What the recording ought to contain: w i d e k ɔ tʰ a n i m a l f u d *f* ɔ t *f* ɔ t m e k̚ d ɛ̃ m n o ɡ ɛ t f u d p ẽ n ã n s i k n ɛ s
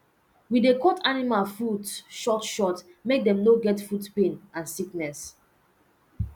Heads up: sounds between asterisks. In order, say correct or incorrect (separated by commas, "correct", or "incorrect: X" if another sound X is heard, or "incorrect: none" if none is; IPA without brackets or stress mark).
incorrect: ʃ, incorrect: ʃ